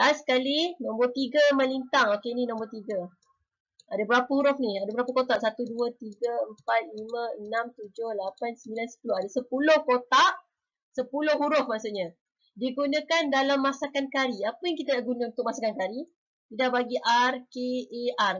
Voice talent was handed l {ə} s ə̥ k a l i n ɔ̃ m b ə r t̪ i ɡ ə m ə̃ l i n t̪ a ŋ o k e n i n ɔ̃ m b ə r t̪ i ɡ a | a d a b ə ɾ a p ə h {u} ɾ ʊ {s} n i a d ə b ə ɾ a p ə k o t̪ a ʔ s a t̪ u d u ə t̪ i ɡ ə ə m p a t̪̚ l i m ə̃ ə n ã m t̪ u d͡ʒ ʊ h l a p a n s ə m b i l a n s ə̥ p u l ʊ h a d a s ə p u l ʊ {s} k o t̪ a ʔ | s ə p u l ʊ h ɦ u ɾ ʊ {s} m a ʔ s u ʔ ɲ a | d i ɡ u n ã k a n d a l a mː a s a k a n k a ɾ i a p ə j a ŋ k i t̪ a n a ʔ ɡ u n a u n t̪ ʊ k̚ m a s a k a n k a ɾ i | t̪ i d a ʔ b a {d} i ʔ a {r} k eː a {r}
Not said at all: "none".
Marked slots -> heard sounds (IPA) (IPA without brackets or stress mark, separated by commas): a, u, f, h, f, ɡ, r, r